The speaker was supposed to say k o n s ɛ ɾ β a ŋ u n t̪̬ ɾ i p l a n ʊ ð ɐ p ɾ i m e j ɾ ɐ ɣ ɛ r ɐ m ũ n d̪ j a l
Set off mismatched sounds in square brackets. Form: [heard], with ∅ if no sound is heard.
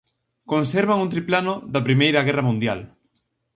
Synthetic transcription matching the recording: k o n s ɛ ɾ β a ŋ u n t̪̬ ɾ i p l a n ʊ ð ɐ p ɾ i m e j ɾ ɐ ɣ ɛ r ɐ m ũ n d̪ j a l

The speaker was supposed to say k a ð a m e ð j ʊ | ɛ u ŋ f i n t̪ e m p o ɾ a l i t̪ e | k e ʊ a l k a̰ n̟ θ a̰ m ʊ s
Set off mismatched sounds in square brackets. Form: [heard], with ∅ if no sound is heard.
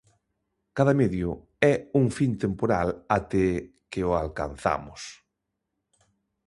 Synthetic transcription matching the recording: k a ð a m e ð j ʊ | ɛ u ŋ f i n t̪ e m p o ɾ a l [a] t̪ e | k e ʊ a l k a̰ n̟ θ a̰ m ʊ s

